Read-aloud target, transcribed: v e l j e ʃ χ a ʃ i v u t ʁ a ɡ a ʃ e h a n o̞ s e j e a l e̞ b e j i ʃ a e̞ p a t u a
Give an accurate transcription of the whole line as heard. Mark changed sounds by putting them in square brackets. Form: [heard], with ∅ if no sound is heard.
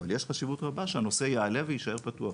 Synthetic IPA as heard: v [a] l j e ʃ χ a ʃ i v u t ʁ a [b] a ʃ e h a n o̞ s e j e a l e̞ [v] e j i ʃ a e̞ p a t u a

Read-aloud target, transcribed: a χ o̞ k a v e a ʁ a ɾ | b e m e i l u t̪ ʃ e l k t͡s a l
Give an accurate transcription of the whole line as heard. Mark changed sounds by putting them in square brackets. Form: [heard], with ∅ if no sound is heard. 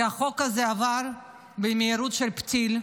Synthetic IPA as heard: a χ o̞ k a [z] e a [v] a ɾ | b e m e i [ɾ] u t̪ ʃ e l [p] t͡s [i] l

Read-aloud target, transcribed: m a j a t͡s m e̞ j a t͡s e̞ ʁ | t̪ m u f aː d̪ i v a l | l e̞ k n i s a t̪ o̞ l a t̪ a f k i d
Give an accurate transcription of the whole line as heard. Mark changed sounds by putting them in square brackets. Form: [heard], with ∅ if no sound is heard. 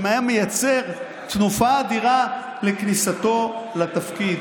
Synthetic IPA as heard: m a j a [∅] m e̞ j a t͡s e̞ ʁ | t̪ [n] u f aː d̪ i [ʁ] a [∅] | l e̞ k n i s a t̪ o̞ l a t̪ a f k i d

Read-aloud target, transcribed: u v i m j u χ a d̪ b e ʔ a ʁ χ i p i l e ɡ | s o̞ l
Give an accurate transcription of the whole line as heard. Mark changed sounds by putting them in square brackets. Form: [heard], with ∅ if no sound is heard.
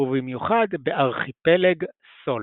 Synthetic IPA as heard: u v i m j u χ a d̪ b e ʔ a ʁ χ i p [e] l e ɡ | s o̞ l

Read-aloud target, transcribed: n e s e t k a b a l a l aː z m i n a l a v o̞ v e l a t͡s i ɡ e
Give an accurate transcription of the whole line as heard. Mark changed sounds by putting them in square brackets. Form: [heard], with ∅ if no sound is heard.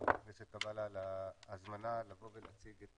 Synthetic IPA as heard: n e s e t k a b a l a l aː z m [a] n a l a v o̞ v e l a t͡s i ɡ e

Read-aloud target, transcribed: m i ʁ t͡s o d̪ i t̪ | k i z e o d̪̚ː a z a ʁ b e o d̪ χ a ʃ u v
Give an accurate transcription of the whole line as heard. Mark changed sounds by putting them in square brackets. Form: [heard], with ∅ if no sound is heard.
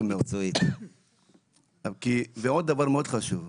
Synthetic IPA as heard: m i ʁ t͡s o [∅] i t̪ | k i [v] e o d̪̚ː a [v] a ʁ [m] e o d̪ χ a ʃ u v

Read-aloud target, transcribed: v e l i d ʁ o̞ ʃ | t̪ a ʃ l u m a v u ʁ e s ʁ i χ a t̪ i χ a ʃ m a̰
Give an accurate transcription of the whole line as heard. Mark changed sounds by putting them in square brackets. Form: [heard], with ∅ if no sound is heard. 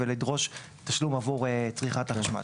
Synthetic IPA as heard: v e l i d ʁ o̞ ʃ | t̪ a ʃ l u m a v u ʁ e [t͡s] ʁ i χ a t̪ [a] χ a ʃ m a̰

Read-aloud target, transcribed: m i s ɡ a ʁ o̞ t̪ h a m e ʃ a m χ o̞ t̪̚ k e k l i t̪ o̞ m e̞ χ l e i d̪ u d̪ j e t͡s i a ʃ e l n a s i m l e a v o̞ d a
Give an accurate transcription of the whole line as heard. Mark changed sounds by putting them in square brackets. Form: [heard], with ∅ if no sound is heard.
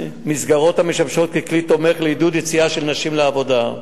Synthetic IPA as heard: m i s ɡ a ʁ o̞ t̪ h a m e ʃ a m [ʃ] o̞ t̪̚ k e k l i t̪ o̞ m e̞ χ l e i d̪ u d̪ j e t͡s i a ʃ e l n a [ʃ] i m l e a v o̞ d a

